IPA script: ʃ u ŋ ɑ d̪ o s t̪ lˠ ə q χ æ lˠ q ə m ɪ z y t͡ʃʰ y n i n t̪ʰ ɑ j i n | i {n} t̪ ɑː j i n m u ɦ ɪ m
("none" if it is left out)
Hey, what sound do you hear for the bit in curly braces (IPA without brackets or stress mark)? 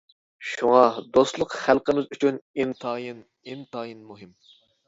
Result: n